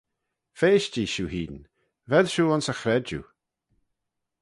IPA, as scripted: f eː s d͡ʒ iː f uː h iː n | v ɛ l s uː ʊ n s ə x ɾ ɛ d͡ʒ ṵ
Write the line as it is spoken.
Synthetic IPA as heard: f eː ʃ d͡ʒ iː ʃ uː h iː n | v ɛ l ʃ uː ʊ n s ə x ɾ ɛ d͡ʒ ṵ